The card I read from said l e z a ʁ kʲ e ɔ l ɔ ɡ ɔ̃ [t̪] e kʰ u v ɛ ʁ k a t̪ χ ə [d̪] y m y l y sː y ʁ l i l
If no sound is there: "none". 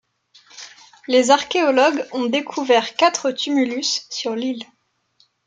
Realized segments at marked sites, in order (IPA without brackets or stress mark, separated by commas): d̪, t̪